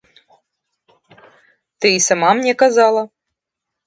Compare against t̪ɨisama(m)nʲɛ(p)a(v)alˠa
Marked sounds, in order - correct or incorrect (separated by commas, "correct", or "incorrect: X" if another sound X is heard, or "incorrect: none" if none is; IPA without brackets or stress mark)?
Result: correct, incorrect: k, incorrect: z